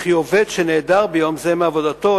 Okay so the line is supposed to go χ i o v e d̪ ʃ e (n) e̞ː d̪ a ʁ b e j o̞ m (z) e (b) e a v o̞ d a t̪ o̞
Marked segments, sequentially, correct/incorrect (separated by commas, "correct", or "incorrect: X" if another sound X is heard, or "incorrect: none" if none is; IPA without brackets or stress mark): correct, correct, incorrect: m